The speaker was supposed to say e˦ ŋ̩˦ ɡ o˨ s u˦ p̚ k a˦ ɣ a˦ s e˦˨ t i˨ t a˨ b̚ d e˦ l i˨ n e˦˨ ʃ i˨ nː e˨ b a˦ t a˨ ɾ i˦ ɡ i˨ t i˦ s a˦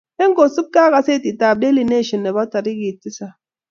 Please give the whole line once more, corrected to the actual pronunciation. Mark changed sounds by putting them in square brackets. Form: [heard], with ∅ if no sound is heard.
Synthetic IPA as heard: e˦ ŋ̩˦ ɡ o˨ s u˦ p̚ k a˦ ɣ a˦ s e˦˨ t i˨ t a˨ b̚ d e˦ l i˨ n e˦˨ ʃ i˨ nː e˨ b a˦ t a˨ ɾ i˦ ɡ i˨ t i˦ s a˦